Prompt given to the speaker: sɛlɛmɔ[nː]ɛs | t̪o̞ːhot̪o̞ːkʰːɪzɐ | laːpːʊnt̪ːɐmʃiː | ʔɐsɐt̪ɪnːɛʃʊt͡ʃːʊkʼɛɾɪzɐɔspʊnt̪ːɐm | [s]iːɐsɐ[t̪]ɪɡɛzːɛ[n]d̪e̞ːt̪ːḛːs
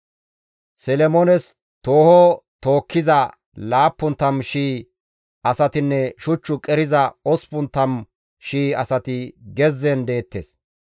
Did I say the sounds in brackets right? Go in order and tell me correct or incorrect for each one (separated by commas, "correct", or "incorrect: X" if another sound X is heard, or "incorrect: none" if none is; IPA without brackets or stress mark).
incorrect: n, incorrect: ʃ, correct, correct